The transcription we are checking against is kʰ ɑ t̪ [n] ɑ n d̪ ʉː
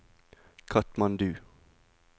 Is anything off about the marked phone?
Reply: yes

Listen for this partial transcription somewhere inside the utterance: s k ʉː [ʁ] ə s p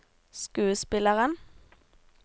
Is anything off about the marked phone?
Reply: yes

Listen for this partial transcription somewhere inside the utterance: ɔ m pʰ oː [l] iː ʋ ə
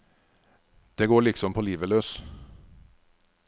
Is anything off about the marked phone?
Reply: no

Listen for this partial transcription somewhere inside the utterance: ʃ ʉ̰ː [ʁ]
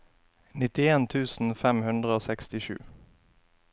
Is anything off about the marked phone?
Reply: yes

